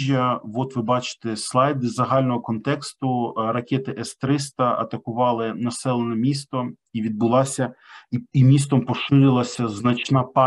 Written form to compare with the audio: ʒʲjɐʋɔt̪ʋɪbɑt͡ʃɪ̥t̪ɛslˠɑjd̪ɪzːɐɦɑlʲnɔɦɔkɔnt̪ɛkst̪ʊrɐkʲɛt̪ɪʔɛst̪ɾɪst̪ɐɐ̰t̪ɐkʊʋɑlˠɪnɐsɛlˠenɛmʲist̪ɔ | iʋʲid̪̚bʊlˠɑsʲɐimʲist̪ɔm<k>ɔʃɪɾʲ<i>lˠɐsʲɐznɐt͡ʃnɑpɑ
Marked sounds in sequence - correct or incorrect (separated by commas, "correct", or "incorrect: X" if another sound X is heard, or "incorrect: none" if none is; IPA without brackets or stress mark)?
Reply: incorrect: p, incorrect: ɪ